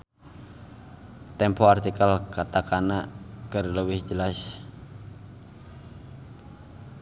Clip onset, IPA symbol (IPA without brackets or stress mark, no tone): t̪